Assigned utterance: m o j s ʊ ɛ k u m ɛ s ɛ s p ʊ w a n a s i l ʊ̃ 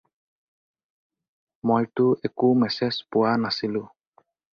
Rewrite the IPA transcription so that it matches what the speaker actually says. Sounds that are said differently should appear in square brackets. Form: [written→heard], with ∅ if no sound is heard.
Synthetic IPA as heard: m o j [s→t] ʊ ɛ k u m ɛ s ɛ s p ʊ w a n a s i l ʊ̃

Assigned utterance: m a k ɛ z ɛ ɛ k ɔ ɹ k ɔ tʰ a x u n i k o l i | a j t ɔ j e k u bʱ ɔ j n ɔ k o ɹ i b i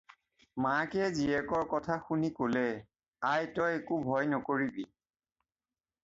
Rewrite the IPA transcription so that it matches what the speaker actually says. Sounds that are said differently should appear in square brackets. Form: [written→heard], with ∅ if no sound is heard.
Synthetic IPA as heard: m a k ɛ z [ɛ→i] ɛ k ɔ ɹ k ɔ tʰ a x u n i k o l [i→ɛ] | a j t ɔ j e k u bʱ ɔ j n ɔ k o ɹ i b i

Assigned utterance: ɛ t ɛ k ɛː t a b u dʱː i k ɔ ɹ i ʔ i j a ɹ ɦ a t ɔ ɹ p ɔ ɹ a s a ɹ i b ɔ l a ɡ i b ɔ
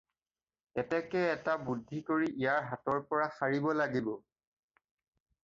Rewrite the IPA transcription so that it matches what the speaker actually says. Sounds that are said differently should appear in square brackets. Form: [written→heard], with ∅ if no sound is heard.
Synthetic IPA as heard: ɛ t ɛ k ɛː t a b u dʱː i k [ɔ→o] ɹ i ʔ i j a ɹ ɦ a t ɔ ɹ p ɔ ɹ a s a ɹ i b ɔ l a ɡ i b ɔ

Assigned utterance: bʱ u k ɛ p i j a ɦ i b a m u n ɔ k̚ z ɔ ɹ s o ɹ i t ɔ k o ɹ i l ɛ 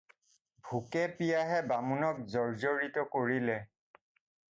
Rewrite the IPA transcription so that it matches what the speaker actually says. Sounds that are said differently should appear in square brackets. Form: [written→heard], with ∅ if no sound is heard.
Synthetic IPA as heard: bʱ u k ɛ p i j a ɦ [i→ɛ] b a m u n ɔ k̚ z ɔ ɹ [s→z] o ɹ i t ɔ k o ɹ i l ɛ

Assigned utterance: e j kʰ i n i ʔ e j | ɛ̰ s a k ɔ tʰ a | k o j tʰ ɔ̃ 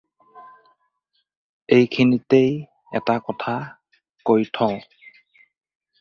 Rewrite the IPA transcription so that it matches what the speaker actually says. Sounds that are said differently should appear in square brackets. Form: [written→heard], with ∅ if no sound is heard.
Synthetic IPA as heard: e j kʰ i n i [ʔ→t] e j | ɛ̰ [s→t] a k ɔ tʰ a | k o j tʰ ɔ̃

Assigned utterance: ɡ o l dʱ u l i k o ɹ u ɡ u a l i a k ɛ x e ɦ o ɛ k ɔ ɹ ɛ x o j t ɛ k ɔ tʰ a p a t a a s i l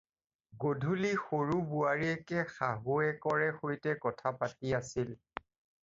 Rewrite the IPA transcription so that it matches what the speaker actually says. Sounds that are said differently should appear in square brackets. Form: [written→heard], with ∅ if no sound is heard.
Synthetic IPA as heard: ɡ o [l→∅] dʱ u l i [k→x] o ɹ u [ɡ→b] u a [l→ɹ] i [a→ɛ] k ɛ x [e→a] ɦ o ɛ k ɔ ɹ ɛ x o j t ɛ k ɔ tʰ a p a t [a→i] a s i l

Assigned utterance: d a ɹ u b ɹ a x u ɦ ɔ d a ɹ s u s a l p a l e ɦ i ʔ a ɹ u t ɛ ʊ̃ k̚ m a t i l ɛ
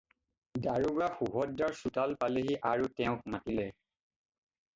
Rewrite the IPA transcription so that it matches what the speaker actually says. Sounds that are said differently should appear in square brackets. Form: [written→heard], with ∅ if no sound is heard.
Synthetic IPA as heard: d a ɹ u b ɹ a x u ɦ ɔ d a ɹ s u [s→t] a l p a l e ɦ i ʔ a ɹ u t ɛ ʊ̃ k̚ m a t i l ɛ

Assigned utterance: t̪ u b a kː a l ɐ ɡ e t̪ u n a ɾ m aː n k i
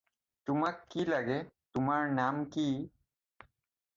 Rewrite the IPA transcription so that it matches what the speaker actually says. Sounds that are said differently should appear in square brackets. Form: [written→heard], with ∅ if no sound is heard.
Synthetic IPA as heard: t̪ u [b→m] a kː [a→i] l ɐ ɡ e t̪ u [n→m] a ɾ [m→n] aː [n→m] k i

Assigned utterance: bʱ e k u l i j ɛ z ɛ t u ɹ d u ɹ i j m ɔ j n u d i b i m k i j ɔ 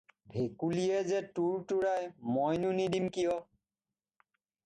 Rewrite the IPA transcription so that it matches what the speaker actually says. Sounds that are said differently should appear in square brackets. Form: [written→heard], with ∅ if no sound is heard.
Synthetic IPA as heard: bʱ e k u l i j ɛ z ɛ t u ɹ [d→t] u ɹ [i→a] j m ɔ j n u [d→n] i [b→d] i m k i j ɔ

